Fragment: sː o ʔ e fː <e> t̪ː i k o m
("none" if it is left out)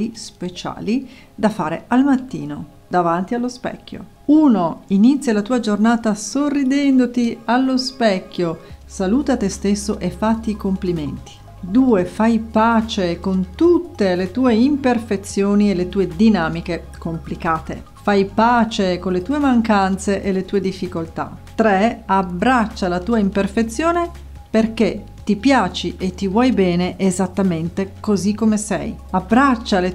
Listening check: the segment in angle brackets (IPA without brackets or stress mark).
a